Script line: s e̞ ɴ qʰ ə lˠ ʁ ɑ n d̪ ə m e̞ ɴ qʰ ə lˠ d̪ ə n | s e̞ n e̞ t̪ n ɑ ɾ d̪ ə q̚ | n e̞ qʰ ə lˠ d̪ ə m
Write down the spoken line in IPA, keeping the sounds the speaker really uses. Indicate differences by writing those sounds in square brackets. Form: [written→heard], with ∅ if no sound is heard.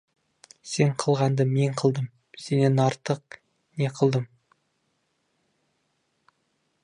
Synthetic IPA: s e̞ ɴ qʰ ə lˠ ʁ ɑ n d̪ ə m e̞ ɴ qʰ ə lˠ d̪ ə [n→m] | s e̞ n e̞ [t̪→∅] n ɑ ɾ [d̪→t̪] ə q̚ | n e̞ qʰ ə lˠ d̪ ə m